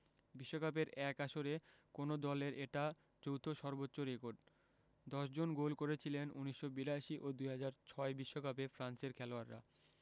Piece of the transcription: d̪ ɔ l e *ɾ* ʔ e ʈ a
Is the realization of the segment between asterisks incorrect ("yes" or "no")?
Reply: no